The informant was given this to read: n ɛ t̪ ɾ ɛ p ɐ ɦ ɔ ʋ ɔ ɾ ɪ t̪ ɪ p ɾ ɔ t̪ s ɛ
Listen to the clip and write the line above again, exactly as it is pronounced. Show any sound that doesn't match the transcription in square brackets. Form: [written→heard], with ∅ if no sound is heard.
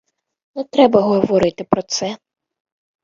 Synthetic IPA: n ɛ t̪ ɾ ɛ [p→b] ɐ ɦ ɔ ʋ ɔ ɾ ɪ t̪ ɪ p ɾ ɔ t̪ s ɛ